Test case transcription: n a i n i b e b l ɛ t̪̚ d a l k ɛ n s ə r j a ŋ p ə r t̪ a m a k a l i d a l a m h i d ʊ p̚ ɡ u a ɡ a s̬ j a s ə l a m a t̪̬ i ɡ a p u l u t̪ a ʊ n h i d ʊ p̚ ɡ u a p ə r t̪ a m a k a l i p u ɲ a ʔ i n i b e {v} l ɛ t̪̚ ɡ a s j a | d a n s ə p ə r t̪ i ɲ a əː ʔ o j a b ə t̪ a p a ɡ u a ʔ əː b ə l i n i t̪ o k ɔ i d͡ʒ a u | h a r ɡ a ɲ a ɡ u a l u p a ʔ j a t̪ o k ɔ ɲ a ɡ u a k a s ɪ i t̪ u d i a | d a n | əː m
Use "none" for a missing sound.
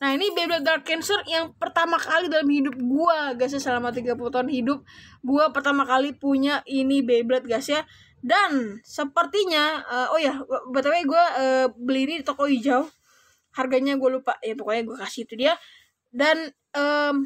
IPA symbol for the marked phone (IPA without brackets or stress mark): b